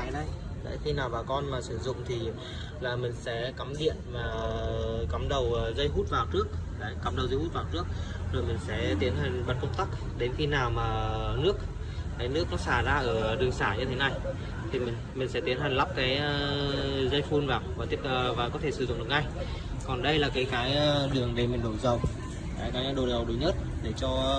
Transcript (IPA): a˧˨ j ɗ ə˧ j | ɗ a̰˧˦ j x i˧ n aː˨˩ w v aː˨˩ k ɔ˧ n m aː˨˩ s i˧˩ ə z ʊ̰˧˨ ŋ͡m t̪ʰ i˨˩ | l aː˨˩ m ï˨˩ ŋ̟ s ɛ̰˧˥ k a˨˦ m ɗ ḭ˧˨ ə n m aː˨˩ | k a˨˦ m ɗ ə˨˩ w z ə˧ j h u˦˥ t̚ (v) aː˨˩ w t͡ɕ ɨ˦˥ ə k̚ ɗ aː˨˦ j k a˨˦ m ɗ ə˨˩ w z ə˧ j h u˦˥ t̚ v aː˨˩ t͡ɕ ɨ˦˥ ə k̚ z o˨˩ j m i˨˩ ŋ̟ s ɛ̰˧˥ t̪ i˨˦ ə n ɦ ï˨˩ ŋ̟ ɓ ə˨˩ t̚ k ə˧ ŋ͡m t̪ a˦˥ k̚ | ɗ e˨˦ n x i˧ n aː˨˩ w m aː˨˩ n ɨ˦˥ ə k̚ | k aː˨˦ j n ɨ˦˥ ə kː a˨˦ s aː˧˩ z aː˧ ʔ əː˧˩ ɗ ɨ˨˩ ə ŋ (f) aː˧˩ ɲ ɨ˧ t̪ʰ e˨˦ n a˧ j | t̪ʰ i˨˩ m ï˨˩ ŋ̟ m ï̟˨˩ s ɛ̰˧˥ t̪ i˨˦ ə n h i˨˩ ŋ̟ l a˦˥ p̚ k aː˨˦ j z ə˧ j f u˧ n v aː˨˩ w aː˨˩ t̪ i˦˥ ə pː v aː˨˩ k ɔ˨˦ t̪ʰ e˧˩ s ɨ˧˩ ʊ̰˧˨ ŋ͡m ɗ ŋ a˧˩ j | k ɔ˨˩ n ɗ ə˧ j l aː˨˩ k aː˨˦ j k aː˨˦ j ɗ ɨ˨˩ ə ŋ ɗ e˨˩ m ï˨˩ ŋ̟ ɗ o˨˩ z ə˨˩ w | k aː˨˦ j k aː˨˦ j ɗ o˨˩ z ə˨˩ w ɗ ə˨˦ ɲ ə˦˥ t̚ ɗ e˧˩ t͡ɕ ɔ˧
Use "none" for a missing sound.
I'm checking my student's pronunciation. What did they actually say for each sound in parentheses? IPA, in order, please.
v, s

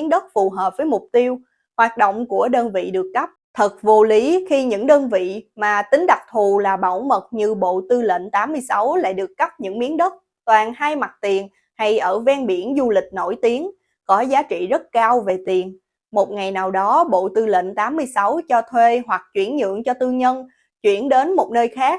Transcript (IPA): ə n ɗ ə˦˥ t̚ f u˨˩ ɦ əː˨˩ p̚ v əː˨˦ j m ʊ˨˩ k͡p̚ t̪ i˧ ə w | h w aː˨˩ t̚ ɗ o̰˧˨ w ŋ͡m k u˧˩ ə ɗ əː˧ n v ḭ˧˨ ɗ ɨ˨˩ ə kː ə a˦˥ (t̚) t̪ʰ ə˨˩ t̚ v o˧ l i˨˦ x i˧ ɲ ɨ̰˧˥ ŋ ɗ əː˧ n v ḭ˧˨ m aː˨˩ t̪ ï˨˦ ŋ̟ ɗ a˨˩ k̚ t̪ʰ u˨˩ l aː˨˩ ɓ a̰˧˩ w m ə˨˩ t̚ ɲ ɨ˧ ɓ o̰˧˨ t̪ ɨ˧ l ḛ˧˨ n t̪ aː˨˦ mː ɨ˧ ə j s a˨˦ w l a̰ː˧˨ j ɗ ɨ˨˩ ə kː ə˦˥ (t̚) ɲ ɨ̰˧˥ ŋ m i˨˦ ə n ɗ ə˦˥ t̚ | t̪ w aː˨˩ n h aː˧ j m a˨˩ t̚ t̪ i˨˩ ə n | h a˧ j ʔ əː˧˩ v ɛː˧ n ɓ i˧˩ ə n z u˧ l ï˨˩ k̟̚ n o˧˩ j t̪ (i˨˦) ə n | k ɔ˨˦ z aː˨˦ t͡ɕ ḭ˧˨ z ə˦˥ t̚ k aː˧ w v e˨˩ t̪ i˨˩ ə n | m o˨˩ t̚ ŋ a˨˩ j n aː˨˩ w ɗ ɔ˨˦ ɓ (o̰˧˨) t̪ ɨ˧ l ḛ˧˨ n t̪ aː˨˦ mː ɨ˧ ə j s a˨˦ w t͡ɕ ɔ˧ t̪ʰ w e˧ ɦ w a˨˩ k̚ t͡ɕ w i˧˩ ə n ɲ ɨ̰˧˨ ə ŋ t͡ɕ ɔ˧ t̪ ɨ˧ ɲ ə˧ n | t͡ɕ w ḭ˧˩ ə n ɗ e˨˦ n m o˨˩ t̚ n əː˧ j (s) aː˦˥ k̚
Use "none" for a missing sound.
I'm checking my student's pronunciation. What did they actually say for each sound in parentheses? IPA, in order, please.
p̚, p̚, i˨˦, o̰˧˨, x

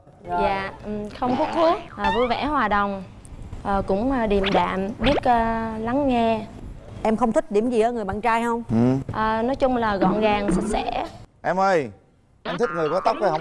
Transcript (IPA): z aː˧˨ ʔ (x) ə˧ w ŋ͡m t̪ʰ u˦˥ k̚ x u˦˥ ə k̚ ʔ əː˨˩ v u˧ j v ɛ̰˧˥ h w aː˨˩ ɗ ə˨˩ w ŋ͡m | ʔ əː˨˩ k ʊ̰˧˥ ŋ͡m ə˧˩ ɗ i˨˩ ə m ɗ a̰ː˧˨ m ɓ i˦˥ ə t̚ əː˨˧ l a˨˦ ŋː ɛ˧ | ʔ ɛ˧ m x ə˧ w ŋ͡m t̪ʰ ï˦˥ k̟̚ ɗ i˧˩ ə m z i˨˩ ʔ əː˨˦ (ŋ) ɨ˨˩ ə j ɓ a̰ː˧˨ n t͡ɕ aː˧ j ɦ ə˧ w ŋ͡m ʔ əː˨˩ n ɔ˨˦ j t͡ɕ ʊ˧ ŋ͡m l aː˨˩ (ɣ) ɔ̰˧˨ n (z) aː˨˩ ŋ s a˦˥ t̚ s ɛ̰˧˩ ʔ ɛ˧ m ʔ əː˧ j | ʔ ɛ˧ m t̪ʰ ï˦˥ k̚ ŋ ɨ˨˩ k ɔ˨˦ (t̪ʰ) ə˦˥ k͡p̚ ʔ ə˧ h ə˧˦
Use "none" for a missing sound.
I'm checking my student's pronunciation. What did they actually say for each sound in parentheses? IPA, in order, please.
x, ŋ, ɣ, ɣ, t̪

